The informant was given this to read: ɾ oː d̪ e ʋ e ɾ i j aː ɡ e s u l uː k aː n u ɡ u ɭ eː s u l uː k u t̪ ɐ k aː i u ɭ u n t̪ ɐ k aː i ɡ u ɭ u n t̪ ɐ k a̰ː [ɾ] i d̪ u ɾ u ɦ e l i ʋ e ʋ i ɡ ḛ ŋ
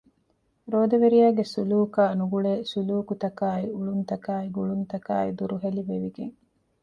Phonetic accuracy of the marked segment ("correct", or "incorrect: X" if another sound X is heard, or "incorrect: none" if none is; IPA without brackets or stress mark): incorrect: none